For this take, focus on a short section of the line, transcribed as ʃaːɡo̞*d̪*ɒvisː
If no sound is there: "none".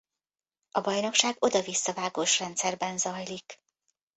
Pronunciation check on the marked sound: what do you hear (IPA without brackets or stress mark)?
d̪